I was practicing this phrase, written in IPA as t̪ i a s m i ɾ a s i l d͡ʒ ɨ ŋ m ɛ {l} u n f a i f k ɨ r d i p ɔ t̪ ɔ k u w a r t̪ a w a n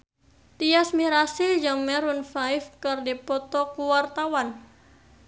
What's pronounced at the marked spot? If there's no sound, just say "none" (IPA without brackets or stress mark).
ɾ